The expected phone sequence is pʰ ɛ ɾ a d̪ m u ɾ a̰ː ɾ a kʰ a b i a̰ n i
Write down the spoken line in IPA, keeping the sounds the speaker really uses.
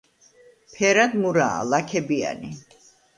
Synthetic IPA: pʰ ɛ ɾ a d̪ m u ɾ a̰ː l a kʰ ɛ b i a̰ n i